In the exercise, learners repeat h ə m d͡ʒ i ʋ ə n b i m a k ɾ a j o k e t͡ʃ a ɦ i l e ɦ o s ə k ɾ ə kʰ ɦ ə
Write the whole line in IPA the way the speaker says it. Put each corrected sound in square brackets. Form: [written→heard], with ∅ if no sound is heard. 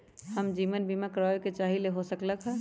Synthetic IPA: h ə m d͡ʒ i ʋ ə n b i m a k ɾ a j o k e t͡ʃ a ɦ i l e ɦ o s ə k [ɾ→l] ə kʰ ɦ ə